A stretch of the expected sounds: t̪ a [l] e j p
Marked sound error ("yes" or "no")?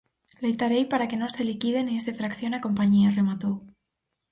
yes